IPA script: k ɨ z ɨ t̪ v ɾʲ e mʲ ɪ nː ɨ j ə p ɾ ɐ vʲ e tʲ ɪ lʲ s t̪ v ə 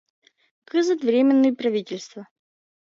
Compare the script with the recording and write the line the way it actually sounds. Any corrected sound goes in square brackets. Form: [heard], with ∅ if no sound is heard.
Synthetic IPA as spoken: k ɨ z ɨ t̪ v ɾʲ e mʲ ɪ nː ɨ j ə p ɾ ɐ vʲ [i] tʲ ɪ lʲ s t̪ v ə